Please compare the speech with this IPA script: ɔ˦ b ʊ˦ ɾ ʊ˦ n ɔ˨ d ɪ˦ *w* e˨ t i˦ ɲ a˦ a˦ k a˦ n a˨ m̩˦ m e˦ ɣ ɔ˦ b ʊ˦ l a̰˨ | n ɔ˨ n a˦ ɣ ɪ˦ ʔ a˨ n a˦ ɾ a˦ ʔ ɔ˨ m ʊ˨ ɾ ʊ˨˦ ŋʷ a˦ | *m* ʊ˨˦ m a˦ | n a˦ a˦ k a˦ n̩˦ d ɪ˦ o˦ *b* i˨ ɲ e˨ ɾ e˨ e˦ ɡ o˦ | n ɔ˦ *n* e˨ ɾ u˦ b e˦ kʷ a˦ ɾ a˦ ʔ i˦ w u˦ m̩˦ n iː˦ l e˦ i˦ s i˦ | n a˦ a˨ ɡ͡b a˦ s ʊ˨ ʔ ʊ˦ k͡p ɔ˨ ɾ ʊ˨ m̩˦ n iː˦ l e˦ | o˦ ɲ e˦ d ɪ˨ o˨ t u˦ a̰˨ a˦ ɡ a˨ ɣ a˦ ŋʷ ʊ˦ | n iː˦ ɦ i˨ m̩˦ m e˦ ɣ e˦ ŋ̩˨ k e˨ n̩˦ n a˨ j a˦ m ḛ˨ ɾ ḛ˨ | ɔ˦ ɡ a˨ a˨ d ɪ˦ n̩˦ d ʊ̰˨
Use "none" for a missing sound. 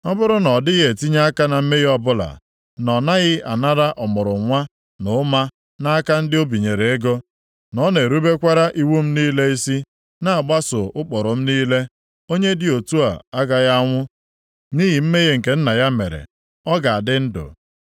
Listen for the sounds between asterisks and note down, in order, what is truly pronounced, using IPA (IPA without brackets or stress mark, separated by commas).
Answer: ɣ, n, b, n